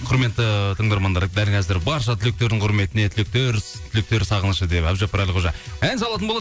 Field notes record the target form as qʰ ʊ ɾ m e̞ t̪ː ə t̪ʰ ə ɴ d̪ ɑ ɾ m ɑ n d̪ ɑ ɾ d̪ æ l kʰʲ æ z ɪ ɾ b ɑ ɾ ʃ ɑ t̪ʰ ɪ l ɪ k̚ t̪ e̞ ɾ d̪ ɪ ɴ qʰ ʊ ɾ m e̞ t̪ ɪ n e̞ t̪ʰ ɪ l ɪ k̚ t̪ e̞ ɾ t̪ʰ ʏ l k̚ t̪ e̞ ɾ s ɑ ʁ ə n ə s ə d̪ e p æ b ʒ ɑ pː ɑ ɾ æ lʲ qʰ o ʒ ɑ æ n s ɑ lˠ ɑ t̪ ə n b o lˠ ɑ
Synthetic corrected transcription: qʰ ʊ ɾ m e̞ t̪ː ə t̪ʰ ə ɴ d̪ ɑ ɾ m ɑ n d̪ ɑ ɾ d̪ æ l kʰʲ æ z ɪ ɾ b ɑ ɾ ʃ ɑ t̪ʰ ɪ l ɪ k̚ t̪ e̞ ɾ d̪ ɪ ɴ qʰ ʊ ɾ m e̞ t̪ ɪ n e̞ t̪ʰ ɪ l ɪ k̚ t̪ e̞ ɾ t̪ʰ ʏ l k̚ t̪ e̞ ɾ s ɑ ʁ ə n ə ʃ ə d̪ e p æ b ʒ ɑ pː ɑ ɾ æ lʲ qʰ o ʒ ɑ æ n s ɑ lˠ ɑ t̪ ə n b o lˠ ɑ